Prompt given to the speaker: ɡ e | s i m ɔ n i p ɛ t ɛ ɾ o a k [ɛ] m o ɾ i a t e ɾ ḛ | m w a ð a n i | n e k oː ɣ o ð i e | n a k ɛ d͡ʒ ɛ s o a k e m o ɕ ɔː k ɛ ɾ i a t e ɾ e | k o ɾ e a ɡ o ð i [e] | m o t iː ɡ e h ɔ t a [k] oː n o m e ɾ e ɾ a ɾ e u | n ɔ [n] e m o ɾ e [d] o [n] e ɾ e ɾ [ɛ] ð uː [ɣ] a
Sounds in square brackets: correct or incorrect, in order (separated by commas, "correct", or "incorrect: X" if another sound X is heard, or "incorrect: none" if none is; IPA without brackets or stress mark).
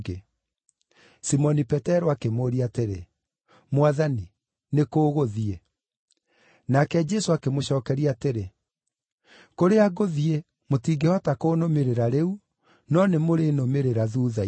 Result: incorrect: e, correct, correct, correct, incorrect: n, incorrect: m, incorrect: a, incorrect: ð